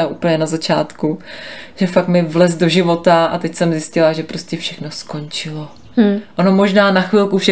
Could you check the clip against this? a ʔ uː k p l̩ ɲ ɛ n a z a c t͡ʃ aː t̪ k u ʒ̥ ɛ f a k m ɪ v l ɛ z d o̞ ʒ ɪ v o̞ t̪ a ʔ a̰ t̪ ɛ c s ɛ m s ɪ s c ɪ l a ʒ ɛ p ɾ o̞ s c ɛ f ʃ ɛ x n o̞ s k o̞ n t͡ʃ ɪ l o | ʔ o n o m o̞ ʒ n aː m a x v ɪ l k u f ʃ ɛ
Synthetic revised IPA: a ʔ uː p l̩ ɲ ɛ n a z a t͡ʃ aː t̪ k u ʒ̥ ɛ f a k m ɪ v l ɛ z d o̞ ʒ ɪ v o̞ t̪ a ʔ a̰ t̪ ɛ c s ɛ m z ɪ s c ɪ l a ʒ ɛ p ɾ o̞ s c ɛ f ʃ ɛ x n o̞ s k o̞ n t͡ʃ ɪ l o | ʔ o n o m o̞ ʒ n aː n a x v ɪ l k u f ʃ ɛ